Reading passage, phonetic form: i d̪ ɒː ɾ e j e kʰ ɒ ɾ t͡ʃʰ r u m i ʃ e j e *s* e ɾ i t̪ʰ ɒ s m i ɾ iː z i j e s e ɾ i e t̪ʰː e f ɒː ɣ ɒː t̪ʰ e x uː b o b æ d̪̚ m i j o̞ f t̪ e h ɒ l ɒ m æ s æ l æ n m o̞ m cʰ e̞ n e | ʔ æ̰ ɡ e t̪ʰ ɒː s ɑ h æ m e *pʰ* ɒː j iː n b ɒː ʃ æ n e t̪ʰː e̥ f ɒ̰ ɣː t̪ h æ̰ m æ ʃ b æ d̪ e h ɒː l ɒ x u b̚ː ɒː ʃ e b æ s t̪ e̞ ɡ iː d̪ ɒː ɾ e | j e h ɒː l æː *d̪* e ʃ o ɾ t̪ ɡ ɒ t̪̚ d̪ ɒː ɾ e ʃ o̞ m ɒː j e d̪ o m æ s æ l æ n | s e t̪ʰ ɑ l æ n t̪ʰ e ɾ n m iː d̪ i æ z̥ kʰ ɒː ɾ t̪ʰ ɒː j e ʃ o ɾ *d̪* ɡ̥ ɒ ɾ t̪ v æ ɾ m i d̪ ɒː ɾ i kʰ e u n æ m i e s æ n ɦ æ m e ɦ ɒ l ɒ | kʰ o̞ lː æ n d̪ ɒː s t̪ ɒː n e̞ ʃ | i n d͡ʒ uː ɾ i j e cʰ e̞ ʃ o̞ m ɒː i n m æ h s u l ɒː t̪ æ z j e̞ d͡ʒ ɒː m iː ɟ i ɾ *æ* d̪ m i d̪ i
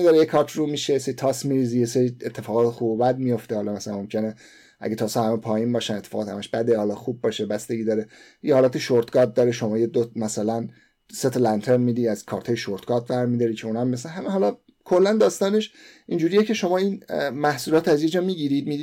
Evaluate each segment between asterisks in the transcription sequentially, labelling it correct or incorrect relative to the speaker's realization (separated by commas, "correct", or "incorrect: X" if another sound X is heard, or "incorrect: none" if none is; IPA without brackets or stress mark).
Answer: correct, correct, incorrect: t̪, incorrect: t̪, incorrect: i